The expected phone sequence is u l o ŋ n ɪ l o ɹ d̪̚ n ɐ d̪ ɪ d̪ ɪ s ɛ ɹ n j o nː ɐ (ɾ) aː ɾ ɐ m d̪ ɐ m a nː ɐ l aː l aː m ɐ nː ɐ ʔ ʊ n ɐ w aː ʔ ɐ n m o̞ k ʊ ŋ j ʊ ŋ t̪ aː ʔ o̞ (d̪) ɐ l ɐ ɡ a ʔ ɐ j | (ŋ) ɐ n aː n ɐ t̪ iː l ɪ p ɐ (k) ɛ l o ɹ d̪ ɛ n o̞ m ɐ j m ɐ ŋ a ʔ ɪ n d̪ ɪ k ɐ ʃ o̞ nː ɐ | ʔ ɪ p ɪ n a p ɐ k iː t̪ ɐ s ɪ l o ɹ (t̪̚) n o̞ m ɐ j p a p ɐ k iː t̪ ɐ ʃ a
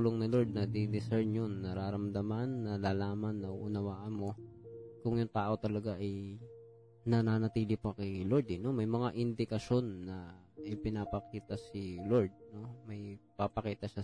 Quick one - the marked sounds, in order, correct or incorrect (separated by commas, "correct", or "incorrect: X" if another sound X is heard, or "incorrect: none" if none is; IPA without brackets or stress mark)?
correct, incorrect: t̪, incorrect: n, correct, incorrect: d̪̚